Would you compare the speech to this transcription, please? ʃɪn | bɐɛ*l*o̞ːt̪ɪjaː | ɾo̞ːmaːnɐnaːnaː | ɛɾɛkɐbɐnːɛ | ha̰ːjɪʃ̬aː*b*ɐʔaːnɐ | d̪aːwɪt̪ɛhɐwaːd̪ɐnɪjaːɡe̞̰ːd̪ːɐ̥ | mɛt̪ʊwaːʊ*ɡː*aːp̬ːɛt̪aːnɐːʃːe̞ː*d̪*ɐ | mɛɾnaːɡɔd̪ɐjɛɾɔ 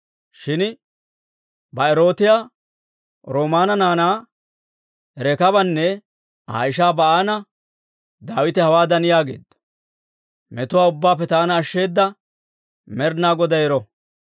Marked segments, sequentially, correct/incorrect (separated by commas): incorrect, correct, incorrect, incorrect